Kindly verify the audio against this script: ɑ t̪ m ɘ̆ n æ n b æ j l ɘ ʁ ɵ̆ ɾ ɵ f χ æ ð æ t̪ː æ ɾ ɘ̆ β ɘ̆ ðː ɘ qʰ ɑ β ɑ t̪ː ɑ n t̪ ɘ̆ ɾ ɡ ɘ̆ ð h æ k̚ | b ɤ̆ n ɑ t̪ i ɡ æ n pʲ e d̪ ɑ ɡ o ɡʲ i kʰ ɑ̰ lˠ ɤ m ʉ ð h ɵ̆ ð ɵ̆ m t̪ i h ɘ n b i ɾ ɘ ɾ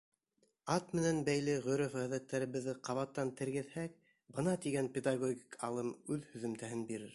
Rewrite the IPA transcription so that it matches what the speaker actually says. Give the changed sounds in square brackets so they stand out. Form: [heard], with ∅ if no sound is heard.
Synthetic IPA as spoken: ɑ t̪ m ɘ̆ n æ n b æ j l ɘ ʁ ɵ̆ ɾ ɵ f [ʁ] æ ð æ t̪ː æ ɾ ɘ̆ β ɘ̆ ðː ɘ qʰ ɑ β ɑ t̪ː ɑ n t̪ ɘ̆ ɾ ɡ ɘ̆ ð h æ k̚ | b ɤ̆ n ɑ t̪ i ɡ æ n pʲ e d̪ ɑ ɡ o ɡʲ i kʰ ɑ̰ lˠ ɤ m ʉ ð h ɵ̆ ð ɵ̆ m t̪ [æ] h ɘ n b i ɾ ɘ ɾ

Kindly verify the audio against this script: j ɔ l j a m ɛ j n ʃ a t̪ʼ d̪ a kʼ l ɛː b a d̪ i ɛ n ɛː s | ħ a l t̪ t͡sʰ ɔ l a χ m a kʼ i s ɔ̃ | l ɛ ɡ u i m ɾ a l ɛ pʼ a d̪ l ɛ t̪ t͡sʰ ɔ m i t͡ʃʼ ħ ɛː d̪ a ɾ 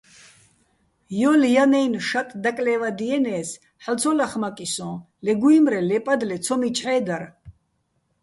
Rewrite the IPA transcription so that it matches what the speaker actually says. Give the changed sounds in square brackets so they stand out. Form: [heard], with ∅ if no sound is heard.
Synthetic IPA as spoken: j ɔ l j a [n] ɛ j n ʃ a t̪ʼ d̪ a kʼ l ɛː [v] a d̪ i ɛ n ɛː s | ħ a l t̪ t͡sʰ ɔ l a χ m a kʼ i s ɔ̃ | l ɛ ɡ u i m ɾ [ɛ] l ɛ pʼ a d̪ l ɛ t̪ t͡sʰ ɔ m i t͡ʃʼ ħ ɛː d̪ a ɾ

